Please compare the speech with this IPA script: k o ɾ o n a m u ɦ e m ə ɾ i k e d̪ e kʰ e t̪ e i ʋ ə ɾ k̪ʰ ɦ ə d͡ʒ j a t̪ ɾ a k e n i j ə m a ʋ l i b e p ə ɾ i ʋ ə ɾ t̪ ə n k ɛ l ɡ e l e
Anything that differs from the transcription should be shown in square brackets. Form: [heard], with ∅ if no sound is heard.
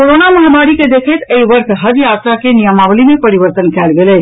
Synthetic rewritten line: k o ɾ o n a m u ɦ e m [a] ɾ i k e d̪ e kʰ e t̪ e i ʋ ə ɾ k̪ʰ ɦ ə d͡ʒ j a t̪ ɾ a k e n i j ə m a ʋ l i [m] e p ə ɾ i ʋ ə ɾ t̪ ə n k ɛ l ɡ e l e

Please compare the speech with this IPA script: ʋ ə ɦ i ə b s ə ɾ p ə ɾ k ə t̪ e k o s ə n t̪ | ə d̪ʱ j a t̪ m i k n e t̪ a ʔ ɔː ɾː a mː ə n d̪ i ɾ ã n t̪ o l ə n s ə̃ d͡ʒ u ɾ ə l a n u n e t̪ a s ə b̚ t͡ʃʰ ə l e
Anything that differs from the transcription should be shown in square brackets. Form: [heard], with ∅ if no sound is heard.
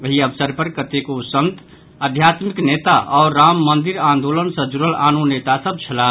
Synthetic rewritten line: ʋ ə ɦ i ə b s ə ɾ p ə ɾ k ə t̪ e k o s ə n t̪ | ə d̪ʱ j a t̪ m i k n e t̪ a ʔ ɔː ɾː a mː ə n d̪ i ɾ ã n [d̪] o l ə n s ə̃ d͡ʒ u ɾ ə l a n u n e t̪ a s ə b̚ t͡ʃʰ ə l [a]

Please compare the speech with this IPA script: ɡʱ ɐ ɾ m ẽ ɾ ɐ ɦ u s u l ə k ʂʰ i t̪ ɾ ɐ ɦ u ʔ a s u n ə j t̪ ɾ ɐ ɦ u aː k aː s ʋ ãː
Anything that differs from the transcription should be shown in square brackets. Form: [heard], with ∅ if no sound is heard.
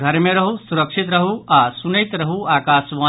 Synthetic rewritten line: ɡʱ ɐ ɾ m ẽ ɾ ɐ ɦ u s u [ɾ] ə k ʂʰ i t̪ ɾ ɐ ɦ u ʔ a s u n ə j t̪ ɾ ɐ ɦ u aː k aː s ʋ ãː

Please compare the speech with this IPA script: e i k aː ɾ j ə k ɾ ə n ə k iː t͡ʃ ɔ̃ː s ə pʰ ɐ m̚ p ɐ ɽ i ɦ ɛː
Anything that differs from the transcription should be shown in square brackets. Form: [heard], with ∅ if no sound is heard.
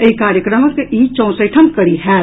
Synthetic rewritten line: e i k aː ɾ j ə k ɾ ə [m] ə k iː t͡ʃ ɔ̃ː s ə [ʈʰ] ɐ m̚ [k] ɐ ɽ i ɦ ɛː

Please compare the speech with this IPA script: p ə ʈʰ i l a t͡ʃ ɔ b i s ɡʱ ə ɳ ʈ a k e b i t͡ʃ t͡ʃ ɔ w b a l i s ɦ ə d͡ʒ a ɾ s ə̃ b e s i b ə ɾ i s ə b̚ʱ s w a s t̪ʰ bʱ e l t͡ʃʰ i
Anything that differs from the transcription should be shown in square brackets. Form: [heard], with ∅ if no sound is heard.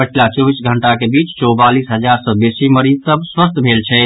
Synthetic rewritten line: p ə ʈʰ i l a t͡ʃ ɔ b i s ɡʱ ə ɳ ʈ a k e b i t͡ʃ t͡ʃ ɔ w b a l i s ɦ ə d͡ʒ a ɾ s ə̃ b e s i [m] ə ɾ i s ə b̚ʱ s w [ə] s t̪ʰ bʱ e l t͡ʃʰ [ɛ]

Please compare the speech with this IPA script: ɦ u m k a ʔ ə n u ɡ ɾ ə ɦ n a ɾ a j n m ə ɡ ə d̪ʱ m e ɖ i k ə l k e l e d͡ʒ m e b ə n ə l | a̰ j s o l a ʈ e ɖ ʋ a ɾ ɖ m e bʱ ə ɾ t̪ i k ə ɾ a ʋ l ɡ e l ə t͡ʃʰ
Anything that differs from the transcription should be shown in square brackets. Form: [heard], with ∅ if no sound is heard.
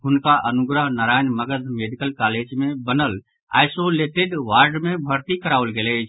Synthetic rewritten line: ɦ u [n] k a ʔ ə n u ɡ ɾ ə ɦ n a ɾ a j n m ə ɡ ə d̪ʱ m e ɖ i k ə l k [a] l e d͡ʒ m e b ə n ə l | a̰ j s o l [e] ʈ e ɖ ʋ a ɾ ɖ m e bʱ ə ɾ t̪ i k ə ɾ a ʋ l ɡ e l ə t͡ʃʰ

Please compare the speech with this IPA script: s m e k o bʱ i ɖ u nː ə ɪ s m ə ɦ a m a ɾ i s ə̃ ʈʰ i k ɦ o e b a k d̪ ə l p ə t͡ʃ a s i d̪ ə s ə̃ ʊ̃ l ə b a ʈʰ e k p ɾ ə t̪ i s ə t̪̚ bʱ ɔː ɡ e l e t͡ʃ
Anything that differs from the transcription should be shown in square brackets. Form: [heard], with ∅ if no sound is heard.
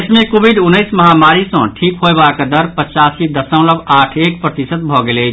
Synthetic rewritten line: s m e k o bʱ i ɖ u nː ə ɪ s m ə ɦ a m a ɾ i s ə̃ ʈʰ i k ɦ o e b a k d̪ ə [ɾ] p ə t͡ʃ a s i d̪ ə s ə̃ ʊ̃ l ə b a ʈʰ e k p ɾ ə t̪ i s ə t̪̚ bʱ [ɔ] ɡ e l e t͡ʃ

